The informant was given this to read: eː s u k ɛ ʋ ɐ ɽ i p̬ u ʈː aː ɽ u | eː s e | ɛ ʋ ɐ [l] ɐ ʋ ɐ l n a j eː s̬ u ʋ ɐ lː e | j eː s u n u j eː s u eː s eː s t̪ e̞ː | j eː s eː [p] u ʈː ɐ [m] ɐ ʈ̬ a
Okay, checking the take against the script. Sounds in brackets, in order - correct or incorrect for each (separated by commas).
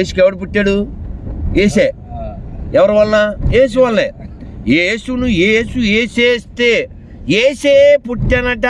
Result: incorrect, correct, incorrect